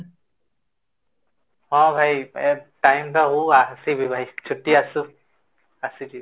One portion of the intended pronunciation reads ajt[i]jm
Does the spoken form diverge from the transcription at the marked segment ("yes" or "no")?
yes